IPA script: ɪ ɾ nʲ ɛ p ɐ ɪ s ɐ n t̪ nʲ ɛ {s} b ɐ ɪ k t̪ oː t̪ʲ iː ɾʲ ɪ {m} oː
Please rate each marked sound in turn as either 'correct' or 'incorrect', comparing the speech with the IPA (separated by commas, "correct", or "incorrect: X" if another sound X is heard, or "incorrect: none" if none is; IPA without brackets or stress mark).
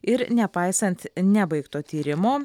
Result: incorrect: none, correct